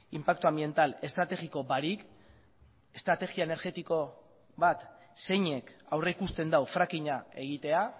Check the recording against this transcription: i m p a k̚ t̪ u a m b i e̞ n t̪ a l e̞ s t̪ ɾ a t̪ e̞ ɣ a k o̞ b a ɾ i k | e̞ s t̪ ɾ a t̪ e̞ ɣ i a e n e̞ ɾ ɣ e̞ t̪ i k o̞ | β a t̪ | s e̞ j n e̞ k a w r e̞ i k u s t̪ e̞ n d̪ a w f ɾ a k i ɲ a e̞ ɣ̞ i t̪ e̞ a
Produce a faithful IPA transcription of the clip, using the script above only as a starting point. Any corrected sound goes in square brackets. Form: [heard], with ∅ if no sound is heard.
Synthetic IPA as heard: i m p a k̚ t̪ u a m b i e̞ n t̪ a l e̞ s t̪ ɾ a t̪ e̞ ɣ [i] k o̞ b a ɾ i k | e̞ s t̪ ɾ a t̪ e̞ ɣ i a e n e̞ ɾ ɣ e̞ t̪ i k o̞ | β a t̪ | s e̞ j [ɲ] e̞ k a w r e̞ i k u s t̪ e̞ n d̪ a w f ɾ a k i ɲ a e̞ ɣ̞ i t̪ e̞ a